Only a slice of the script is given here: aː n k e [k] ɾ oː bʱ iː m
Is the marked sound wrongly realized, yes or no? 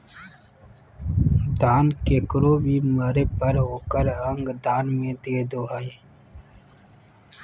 no